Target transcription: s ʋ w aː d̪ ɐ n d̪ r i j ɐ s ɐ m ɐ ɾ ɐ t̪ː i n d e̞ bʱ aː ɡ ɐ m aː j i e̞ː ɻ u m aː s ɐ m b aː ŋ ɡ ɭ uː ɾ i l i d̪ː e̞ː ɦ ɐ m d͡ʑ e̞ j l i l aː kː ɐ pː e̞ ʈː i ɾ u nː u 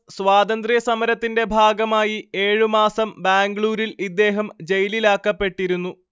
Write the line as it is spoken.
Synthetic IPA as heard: s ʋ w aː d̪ ɐ n d̪ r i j ɐ s ɐ m ɐ ɾ ɐ t̪ː i n d e̞ bʱ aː ɡ ɐ m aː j i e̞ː ɻ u m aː s ɐ m b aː ŋ ɡ ɭ uː ɾ i l i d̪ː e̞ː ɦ ɐ m d͡ʑ e̞ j l i l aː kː ɐ pː e̞ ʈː i ɾ u nː u